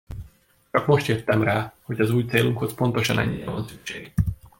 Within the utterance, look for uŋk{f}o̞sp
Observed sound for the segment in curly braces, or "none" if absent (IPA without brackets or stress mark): h